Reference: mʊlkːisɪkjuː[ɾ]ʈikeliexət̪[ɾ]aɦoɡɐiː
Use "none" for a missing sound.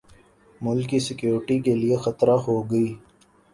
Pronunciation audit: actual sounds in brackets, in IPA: ɾ, ɾ

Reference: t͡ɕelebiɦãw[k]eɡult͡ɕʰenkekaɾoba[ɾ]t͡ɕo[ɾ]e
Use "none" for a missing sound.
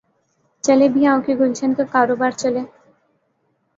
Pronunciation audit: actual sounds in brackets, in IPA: k, ɾ, l

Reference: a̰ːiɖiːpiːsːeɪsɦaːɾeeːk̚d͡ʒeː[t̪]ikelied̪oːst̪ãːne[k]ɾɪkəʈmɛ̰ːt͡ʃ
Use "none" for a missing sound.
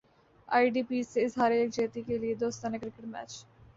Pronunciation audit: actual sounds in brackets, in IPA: t̪, k

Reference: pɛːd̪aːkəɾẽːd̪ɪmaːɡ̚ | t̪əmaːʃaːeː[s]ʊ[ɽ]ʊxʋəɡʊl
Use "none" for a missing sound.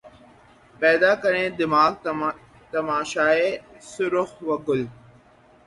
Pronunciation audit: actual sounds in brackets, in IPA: s, ɾ

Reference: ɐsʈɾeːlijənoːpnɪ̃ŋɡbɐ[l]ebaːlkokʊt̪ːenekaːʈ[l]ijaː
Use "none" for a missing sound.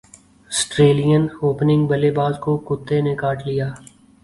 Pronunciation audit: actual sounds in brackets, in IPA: l, l

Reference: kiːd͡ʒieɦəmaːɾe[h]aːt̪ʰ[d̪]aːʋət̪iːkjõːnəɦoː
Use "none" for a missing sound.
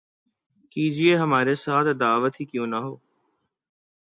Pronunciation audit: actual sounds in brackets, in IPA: s, d̪

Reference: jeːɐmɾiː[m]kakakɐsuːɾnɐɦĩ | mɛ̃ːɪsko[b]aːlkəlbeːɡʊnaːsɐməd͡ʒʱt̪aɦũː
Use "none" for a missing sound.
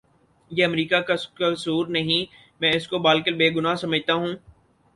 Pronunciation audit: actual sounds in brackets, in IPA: none, b

